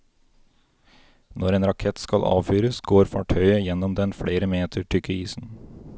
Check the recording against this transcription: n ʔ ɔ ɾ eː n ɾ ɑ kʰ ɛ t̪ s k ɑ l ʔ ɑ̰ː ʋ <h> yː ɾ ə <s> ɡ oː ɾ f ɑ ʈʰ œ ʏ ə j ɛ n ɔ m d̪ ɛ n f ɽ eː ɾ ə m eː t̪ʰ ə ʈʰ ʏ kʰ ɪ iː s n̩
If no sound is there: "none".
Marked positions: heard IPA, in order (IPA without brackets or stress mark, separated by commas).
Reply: f, s